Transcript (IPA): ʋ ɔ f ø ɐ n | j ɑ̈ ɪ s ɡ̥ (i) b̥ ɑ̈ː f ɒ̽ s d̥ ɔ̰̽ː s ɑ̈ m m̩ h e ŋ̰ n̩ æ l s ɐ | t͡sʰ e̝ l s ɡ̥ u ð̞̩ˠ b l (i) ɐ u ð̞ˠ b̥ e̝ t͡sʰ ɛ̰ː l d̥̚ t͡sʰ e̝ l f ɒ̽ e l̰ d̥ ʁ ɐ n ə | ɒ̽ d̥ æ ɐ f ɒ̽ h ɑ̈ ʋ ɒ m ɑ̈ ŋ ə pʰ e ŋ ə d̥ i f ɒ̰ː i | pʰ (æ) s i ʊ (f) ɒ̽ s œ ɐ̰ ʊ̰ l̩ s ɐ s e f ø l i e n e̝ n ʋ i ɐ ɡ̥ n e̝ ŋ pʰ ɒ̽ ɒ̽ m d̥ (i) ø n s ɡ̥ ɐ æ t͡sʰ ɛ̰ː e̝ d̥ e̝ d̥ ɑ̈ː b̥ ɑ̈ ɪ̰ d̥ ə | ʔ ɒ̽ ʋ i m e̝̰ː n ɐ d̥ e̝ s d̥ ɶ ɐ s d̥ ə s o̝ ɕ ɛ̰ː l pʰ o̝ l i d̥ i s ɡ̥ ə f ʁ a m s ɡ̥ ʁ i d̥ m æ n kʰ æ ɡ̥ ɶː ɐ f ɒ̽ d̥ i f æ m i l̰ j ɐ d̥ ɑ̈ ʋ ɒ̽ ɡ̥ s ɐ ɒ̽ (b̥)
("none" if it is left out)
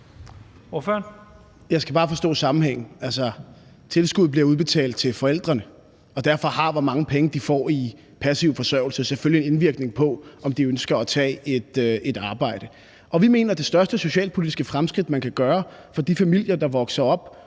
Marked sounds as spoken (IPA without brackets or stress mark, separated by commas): æ, i, æ, f, i, b̥